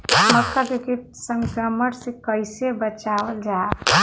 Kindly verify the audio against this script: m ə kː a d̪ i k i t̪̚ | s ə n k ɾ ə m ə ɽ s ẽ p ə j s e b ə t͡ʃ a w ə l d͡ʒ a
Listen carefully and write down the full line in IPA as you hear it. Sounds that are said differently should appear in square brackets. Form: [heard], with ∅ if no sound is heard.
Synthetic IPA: m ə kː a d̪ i k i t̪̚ | s ə [ŋ] k ɾ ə m ə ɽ s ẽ [k] ə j s e b ə t͡ʃ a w ə l d͡ʒ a

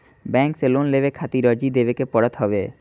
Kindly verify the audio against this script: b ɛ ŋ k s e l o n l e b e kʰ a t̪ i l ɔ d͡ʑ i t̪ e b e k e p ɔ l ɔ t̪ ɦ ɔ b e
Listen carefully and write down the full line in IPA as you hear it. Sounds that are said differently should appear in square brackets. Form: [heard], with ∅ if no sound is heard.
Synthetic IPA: b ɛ ŋ k s e l o n l e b e kʰ a t̪ i [ɾ] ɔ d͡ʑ i [d̪] e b e k e p ɔ [ɽ] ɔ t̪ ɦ ɔ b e

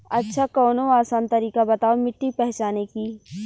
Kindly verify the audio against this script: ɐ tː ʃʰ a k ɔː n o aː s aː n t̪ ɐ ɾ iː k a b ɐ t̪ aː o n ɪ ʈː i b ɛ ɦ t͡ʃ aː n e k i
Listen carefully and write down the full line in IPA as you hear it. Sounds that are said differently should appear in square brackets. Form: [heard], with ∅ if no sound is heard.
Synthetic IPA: ɐ tː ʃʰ a k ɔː n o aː s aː n t̪ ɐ ɾ iː k a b ɐ t̪ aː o [m] ɪ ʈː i [p] ɛ ɦ t͡ʃ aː n e k i

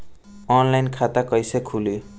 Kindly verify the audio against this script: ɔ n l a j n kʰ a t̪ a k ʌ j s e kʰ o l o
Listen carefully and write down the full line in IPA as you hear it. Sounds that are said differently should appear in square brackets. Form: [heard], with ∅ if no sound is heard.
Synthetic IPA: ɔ n l a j n kʰ a t̪ a k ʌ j s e kʰ [u] l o

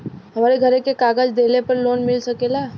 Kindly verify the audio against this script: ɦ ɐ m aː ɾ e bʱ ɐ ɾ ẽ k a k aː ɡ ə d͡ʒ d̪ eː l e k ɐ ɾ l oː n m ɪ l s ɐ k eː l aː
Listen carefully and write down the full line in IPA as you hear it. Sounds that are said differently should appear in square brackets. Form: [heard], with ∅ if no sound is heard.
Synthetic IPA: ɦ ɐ m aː ɾ e [ɡʱ] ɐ ɾ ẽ k [e] k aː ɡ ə d͡ʒ d̪ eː l e [p] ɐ ɾ l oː n m ɪ l s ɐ k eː l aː

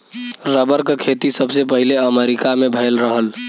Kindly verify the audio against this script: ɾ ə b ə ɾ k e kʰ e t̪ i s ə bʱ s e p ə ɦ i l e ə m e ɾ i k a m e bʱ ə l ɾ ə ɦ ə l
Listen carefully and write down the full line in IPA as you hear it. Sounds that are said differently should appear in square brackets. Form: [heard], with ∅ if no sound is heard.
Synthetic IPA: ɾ ə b ə ɾ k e kʰ e t̪ i s ə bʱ s e p ə ɦ i l e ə m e ɾ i k a m e bʱ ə l ɾ ə ɦ ə l

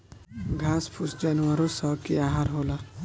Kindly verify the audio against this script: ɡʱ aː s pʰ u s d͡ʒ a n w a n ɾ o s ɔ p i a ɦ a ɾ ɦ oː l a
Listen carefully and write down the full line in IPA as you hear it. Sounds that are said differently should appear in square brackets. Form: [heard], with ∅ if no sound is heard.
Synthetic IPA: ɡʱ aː s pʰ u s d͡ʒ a n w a [∅] ɾ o s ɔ [k] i a ɦ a ɾ ɦ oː l a

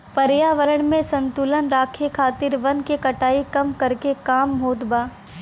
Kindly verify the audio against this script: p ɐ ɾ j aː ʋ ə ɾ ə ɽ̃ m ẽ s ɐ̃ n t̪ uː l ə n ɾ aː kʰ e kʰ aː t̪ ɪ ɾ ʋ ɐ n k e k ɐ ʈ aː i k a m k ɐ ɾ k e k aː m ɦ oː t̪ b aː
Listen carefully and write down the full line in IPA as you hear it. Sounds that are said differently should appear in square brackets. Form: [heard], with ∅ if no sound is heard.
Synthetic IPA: p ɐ ɾ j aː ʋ ə ɾ ə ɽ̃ m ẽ s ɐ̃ n t̪ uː l ə n ɾ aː kʰ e kʰ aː t̪ ɪ ɾ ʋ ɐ n k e k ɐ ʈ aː i k [ɐ] m k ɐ ɾ k e k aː m ɦ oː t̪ b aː

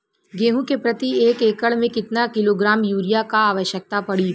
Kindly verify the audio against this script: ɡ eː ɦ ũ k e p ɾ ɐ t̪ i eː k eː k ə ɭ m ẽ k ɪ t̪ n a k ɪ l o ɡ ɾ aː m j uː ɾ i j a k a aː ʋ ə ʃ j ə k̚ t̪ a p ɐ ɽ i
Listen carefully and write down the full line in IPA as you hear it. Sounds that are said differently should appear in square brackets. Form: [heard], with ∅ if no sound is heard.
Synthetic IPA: ɡ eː ɦ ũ k e p ɾ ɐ t̪ i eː k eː k ə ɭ m ẽ k ɪ t̪ n a k ɪ l o ɡ ɾ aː m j uː ɾ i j a k a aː ʋ ə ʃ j ə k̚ t̪ a p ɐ ɽ i

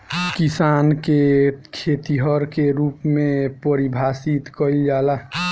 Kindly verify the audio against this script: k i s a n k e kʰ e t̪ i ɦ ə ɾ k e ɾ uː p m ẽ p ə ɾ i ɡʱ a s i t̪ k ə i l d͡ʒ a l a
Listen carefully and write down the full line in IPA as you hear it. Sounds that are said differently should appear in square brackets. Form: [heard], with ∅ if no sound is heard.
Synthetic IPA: k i s a n k e kʰ e t̪ i ɦ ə ɾ k e ɾ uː p m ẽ p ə ɾ i [bʱ] a s i t̪ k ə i l d͡ʒ a l a

